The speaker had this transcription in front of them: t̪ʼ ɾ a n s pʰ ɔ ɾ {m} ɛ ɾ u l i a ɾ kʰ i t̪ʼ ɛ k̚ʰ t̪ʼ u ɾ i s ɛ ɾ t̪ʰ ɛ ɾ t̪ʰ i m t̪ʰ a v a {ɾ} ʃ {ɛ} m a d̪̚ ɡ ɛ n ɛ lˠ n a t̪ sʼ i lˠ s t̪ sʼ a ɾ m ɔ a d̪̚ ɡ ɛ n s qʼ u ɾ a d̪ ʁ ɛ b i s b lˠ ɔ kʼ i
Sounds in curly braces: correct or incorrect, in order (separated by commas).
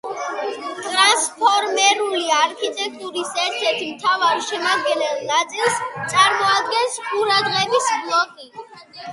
correct, correct, correct